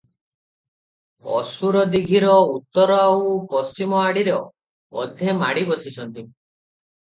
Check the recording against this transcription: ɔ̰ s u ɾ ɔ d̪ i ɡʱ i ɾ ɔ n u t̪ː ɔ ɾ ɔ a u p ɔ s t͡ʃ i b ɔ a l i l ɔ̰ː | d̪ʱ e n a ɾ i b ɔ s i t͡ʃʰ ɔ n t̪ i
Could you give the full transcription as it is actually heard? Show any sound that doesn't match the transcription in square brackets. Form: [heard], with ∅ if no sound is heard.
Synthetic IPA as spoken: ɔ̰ s u ɾ ɔ d̪ i ɡʱ i ɾ ɔ [∅] u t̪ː ɔ ɾ ɔ a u p ɔ s t͡ʃ i [m] ɔ a [ɽ] i [ɾ] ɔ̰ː | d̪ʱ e [m] a [ɽ] i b ɔ s i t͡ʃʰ ɔ n t̪ i